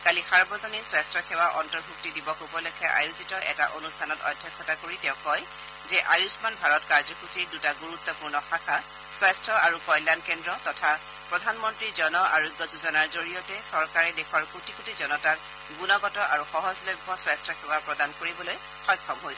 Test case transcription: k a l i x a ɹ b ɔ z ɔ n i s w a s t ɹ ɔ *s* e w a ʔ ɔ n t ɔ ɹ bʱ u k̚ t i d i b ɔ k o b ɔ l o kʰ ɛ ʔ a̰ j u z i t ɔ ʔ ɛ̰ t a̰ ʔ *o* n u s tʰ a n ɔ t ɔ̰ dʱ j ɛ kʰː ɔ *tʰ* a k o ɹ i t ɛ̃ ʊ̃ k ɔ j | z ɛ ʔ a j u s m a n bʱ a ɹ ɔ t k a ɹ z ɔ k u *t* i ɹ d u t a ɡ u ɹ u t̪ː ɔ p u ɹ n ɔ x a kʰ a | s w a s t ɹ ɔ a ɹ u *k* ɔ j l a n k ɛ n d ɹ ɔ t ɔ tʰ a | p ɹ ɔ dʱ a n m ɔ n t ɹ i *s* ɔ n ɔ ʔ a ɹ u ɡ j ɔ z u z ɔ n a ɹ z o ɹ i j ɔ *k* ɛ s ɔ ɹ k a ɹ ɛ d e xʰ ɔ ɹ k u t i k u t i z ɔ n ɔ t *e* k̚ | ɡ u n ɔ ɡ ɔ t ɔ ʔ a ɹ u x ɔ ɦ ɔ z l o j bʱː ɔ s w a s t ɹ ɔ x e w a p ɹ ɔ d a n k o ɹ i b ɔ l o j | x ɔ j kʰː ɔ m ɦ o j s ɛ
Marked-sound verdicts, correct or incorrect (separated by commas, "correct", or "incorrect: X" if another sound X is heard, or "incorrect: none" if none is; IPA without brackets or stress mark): incorrect: x, correct, incorrect: t, incorrect: s, correct, incorrect: z, incorrect: t, incorrect: a